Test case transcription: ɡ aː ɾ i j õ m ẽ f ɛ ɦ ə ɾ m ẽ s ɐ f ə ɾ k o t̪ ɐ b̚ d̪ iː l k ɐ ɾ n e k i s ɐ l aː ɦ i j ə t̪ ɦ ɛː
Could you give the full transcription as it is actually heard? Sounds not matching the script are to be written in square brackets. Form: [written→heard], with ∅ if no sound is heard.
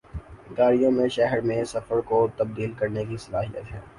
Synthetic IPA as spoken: ɡ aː ɾ i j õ m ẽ [f→ʃ] ɛ ɦ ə ɾ m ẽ s ɐ f ə ɾ k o t̪ ɐ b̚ d̪ iː l k ɐ ɾ n e k i s ɐ l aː ɦ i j ə t̪ ɦ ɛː